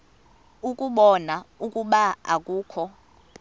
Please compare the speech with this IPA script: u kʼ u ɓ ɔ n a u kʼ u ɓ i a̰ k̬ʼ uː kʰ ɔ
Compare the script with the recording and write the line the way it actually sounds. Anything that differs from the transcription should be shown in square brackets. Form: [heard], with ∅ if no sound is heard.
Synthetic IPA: u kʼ u ɓ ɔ n a u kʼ u ɓ [a] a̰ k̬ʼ uː kʰ ɔ